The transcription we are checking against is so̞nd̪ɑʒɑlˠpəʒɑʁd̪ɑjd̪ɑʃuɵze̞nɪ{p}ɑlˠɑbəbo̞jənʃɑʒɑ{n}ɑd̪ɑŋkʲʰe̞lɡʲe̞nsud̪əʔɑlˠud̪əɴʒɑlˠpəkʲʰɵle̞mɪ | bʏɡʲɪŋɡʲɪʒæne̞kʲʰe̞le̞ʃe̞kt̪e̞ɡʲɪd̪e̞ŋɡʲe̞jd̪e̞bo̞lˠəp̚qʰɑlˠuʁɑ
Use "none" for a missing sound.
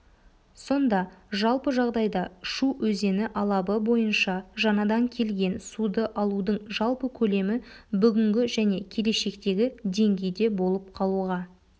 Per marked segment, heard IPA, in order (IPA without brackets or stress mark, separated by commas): ʔ, n